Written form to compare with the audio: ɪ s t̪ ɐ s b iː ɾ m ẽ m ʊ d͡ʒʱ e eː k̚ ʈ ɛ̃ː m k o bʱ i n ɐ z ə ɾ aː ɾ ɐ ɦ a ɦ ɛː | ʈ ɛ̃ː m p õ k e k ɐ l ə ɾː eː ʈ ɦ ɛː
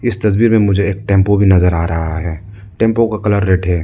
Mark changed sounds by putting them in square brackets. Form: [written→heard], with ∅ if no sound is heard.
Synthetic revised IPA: ɪ s t̪ ɐ s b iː ɾ m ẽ m ʊ d͡ʒʱ e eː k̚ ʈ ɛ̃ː m [k→p] o bʱ i n ɐ z ə ɾ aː ɾ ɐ ɦ a ɦ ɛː | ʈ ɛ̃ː m p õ k [e→a] k ɐ l ə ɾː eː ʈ ɦ ɛː